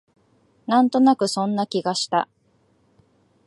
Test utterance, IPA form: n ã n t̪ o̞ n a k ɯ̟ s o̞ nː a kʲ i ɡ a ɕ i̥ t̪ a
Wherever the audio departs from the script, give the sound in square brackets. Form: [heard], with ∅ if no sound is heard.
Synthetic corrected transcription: n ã n t̪ o̞ n a k ɯ̟ s [õ̞] nː a kʲ i ɡ a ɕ i̥ t̪ a